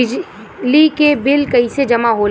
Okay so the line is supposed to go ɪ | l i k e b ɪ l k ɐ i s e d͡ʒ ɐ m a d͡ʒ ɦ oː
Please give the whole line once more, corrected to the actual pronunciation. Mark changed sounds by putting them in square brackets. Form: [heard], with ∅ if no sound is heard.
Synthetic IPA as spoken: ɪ | l i k e b ɪ l k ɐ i s e d͡ʒ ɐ m a [∅] ɦ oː